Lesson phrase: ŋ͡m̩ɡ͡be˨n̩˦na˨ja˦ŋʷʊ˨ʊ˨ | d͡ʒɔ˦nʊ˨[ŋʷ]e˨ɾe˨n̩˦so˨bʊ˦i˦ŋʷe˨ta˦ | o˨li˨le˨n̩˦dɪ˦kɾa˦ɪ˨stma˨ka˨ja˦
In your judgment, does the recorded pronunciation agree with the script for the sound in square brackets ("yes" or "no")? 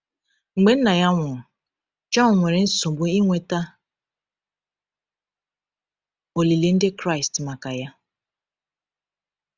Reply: yes